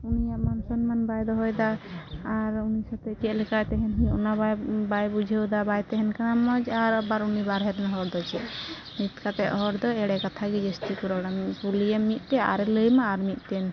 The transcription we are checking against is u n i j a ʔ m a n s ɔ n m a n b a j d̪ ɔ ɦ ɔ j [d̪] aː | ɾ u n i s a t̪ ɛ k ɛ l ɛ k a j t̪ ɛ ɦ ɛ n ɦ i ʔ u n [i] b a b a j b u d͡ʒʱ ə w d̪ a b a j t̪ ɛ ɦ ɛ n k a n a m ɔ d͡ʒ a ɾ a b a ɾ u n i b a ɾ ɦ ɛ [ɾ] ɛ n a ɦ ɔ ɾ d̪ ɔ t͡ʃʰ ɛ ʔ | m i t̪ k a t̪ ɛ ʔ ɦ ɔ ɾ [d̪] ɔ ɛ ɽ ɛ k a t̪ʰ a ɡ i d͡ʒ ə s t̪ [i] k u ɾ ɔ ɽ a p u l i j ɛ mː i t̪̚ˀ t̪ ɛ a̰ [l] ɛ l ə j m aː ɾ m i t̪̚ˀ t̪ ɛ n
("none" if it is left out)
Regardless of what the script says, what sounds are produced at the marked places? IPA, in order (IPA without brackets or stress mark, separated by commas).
d̪, a, ɾ, d̪, i, ɾ